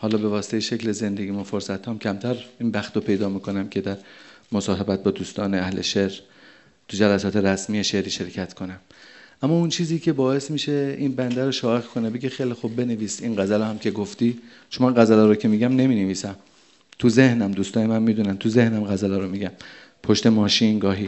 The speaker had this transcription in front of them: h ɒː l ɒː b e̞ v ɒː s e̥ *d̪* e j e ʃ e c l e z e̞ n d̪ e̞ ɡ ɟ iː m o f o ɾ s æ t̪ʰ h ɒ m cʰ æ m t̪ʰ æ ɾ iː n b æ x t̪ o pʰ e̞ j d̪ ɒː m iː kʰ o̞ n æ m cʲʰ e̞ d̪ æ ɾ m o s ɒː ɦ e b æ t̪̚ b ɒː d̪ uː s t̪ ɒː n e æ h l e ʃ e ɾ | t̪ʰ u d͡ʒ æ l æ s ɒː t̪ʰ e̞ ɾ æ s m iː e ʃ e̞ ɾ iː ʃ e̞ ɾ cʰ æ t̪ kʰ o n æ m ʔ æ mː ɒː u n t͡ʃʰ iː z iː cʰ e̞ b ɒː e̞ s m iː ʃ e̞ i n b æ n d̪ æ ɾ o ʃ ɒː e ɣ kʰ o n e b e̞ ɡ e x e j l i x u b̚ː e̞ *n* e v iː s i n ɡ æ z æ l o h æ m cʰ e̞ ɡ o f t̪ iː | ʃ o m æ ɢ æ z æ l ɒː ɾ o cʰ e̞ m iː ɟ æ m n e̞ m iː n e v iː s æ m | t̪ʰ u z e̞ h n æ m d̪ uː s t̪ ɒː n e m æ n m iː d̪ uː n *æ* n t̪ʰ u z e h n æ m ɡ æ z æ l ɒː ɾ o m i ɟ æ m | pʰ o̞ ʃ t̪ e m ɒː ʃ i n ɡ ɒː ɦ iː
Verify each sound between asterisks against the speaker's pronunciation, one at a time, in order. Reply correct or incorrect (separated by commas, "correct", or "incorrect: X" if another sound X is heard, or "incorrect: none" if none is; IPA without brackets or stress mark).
incorrect: t̪, correct, correct